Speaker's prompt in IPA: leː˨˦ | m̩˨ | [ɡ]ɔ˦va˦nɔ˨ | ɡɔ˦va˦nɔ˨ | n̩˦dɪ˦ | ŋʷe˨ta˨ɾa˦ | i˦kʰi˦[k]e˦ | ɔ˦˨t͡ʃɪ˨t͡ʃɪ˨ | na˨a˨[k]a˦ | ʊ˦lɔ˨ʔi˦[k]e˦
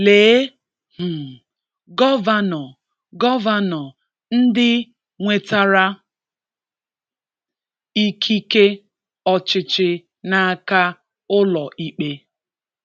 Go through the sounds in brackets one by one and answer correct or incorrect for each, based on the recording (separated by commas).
correct, correct, correct, incorrect